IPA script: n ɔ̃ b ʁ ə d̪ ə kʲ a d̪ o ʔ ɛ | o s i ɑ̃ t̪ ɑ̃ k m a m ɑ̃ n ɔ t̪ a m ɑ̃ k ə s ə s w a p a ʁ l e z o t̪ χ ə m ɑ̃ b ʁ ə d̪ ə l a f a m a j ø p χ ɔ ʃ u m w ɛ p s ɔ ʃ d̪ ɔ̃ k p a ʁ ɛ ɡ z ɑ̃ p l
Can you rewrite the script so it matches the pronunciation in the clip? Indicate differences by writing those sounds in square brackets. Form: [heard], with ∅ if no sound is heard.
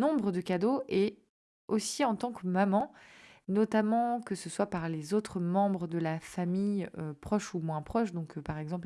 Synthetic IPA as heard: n ɔ̃ b ʁ ə d̪ ə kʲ a d̪ o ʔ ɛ | o s i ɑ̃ t̪ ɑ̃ k m a m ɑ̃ n ɔ t̪ a m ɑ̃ k ə s ə s w a p a ʁ l e z o t̪ χ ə m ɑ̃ b ʁ ə d̪ ə l a f a m [i] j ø p χ ɔ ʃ u m w [ɛ̃] p [χ] ɔ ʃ d̪ ɔ̃ k p a ʁ ɛ ɡ z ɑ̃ p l

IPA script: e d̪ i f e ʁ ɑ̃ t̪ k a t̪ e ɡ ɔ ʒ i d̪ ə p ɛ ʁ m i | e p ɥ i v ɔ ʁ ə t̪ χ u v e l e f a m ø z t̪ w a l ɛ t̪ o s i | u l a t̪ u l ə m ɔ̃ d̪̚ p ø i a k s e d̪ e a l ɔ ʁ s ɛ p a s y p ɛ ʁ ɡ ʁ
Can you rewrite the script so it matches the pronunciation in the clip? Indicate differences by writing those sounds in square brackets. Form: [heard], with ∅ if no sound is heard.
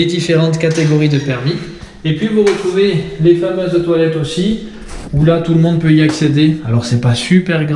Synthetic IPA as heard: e d̪ i f e ʁ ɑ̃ t̪ k a t̪ e ɡ ɔ [ʁ] i d̪ ə p ɛ ʁ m i | e p ɥ i v [u] ʁ ə t̪ χ u v e l e f a m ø z t̪ w a l ɛ t̪ o s i | u l a t̪ u l ə m ɔ̃ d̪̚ p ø i a k s e d̪ e a l ɔ ʁ s ɛ p a s y p ɛ ʁ ɡ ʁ

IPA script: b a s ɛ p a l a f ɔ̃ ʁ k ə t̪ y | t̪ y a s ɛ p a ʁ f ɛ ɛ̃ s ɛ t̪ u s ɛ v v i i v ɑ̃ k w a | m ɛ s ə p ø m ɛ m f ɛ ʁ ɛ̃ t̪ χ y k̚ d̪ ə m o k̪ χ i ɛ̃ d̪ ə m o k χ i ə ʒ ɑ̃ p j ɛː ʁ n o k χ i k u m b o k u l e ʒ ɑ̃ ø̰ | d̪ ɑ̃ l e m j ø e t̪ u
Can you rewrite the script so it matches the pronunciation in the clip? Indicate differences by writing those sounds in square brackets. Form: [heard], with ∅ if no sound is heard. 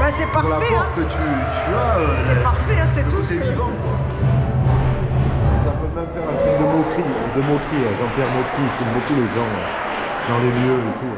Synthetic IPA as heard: b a s ɛ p a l a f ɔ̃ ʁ k ə t̪ y | t̪ y a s ɛ p a ʁ f ɛ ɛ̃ s ɛ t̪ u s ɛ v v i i v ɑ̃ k w a | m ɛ s [a] p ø m ɛ m f ɛ ʁ ɛ̃ t̪ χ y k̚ d̪ ə m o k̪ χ i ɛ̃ d̪ ə m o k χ i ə ʒ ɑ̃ p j [ɛ] ʁ [m] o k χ i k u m b o k u l e ʒ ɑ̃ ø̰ | d̪ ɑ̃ l e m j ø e t̪ u

